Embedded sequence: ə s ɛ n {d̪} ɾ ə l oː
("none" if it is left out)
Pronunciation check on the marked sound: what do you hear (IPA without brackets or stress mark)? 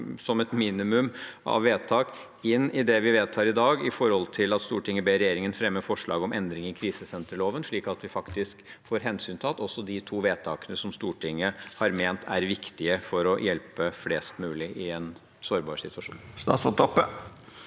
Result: t̪